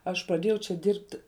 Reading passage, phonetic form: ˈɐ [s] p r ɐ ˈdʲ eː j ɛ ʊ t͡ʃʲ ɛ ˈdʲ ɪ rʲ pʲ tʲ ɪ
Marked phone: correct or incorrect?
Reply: incorrect